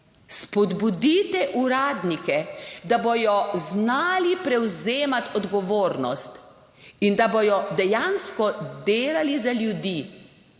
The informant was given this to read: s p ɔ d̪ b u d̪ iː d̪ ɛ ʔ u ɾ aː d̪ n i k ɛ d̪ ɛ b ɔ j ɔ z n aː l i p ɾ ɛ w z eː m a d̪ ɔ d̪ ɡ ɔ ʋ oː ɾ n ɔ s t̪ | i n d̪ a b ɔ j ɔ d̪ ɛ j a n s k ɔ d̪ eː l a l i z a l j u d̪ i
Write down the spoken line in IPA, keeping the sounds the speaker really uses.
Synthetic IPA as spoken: s p ɔ d̪ b u d̪ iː t̪ ɛ ʔ u ɾ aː d̪ n i k ɛ d̪ a b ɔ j ɔ z n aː l i p ɾ ɛ w z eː m a t̪ ɔ d̪ ɡ ɔ ʋ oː ɾ n ɔ s t̪ | i n d̪ a b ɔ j ɔ d̪ ɛ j a n s k ɔ d̪ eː l a l i z a l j u d̪ i